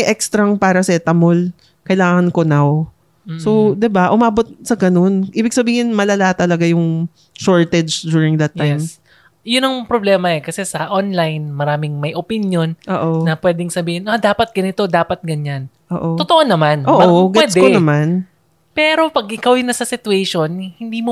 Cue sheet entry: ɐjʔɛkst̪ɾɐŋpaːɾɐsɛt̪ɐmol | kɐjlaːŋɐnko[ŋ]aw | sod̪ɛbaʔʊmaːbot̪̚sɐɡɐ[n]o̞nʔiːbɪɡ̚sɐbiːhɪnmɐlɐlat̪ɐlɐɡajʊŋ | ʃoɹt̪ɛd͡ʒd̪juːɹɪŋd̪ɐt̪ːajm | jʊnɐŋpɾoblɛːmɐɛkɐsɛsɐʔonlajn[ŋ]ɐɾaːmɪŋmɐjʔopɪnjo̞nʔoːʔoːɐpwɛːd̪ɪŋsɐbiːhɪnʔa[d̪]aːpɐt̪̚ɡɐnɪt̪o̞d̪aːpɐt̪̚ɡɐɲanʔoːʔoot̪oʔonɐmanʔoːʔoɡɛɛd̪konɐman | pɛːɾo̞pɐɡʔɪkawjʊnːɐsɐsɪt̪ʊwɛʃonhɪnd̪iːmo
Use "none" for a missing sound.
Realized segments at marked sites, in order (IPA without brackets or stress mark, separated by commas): n, n, m, d̪